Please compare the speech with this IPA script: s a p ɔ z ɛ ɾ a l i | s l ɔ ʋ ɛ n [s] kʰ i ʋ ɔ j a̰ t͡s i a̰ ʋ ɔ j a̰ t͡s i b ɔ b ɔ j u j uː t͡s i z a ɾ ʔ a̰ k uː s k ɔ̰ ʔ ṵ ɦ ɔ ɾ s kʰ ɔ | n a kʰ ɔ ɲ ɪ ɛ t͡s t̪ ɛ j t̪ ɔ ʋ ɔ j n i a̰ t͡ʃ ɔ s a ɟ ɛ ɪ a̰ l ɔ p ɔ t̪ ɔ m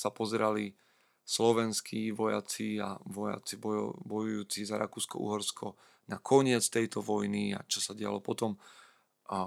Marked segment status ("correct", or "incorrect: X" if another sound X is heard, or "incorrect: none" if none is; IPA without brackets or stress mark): correct